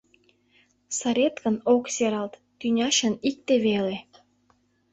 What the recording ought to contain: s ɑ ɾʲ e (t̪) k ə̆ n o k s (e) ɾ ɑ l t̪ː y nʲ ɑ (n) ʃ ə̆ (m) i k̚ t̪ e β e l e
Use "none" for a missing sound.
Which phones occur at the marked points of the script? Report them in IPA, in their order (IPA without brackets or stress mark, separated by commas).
t̪, e, none, n